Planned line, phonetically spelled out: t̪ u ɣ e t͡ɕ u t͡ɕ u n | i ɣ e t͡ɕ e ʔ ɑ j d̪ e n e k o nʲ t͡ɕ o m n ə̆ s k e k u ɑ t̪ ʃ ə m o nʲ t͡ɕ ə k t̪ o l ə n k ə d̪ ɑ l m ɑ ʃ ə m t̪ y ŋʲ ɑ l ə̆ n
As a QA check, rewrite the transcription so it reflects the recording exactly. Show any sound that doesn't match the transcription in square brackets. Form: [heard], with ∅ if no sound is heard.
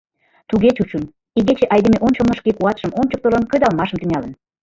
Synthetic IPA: t̪ u ɣ e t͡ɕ u t͡ɕ u n | i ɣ e t͡ɕ e ʔ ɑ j d̪ e [m] e [ʔ] o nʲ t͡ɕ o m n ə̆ [ʃ] k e k u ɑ t̪ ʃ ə m o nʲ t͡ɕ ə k t̪ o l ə n k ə d̪ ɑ l m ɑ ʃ ə m t̪ y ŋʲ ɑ l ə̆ n